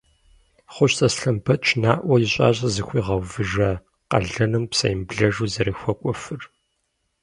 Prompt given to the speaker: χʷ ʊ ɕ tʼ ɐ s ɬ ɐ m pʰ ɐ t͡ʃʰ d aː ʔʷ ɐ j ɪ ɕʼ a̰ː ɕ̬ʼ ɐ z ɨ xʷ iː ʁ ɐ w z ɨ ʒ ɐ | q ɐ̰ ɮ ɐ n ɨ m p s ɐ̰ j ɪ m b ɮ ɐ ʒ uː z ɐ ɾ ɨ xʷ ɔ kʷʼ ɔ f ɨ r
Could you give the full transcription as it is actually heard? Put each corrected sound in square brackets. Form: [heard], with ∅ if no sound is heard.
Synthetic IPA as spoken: χʷ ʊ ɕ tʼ ɐ s ɬ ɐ m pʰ ɐ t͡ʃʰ [n] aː ʔʷ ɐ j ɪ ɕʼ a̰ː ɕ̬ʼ ɐ z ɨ xʷ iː ʁ ɐ w [v] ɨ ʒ ɐ | q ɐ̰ ɮ ɐ n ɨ m p s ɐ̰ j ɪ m b ɮ ɐ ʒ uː z ɐ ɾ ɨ xʷ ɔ kʷʼ ɔ f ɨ r